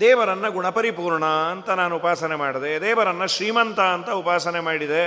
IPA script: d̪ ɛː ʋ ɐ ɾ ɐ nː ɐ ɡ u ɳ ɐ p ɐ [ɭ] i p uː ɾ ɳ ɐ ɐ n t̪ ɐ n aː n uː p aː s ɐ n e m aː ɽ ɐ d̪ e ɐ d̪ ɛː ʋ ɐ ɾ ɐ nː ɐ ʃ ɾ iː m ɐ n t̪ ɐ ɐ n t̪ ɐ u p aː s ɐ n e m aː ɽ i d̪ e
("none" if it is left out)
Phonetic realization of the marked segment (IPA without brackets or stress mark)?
ɾ